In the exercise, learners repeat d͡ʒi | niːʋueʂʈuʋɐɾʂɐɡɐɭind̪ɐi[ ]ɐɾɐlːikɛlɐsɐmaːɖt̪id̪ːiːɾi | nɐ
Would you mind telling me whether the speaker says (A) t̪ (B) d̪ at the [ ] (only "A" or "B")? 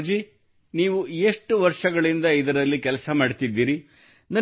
B